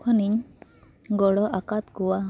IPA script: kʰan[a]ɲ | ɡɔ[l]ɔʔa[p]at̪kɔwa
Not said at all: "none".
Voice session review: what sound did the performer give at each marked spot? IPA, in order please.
i, ɽ, k

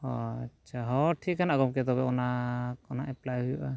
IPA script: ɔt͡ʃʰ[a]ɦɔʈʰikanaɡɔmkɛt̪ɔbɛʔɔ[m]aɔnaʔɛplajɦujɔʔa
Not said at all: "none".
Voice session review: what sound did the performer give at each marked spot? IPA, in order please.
a, n

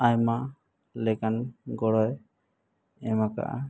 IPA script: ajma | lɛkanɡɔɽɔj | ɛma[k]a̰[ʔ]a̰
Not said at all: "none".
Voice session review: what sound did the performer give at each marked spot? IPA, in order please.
k, ʔ

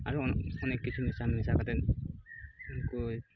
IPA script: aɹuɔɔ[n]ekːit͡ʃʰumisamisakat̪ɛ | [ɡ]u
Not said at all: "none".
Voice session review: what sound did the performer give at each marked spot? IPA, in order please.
n, k

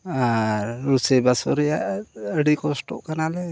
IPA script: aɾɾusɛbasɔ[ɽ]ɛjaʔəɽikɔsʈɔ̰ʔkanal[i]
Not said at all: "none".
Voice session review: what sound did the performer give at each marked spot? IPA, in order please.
ɾ, ɛ

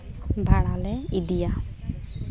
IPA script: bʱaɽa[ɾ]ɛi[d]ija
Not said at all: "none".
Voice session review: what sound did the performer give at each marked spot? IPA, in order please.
l, d

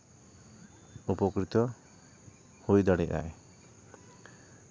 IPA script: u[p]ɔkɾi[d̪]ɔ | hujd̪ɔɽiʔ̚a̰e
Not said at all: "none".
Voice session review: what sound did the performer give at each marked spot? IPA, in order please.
p, t̪

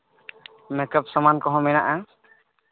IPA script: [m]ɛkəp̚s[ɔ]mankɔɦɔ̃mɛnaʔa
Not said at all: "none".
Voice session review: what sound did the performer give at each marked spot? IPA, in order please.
m, ɔ

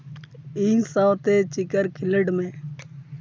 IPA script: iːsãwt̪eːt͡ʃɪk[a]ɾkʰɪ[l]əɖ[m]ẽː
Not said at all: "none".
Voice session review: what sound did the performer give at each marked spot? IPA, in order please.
ə, l, m

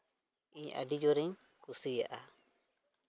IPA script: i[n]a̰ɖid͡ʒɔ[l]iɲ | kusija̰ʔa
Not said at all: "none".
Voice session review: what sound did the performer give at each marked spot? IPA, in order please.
ɲ, ɾ

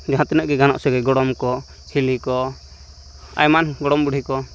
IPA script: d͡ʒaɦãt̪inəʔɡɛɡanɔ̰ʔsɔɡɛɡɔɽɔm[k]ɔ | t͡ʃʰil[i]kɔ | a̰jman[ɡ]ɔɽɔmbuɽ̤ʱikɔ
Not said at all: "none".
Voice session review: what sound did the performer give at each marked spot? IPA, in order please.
k, i, ɡ

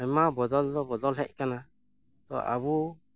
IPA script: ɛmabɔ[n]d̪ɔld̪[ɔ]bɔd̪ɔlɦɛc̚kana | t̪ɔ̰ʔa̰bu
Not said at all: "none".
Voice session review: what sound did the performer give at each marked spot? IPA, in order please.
none, ɔ

